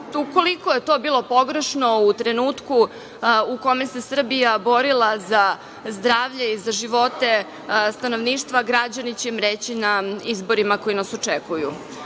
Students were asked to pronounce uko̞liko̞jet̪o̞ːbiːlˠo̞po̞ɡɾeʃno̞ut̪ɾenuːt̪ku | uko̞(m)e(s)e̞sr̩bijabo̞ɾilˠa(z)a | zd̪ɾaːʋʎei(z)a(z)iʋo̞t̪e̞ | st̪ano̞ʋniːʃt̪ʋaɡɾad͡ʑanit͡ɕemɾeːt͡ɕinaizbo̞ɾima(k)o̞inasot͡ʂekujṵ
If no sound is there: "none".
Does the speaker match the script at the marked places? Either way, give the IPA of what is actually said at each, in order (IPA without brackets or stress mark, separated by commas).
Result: m, s, z, z, ʒ, k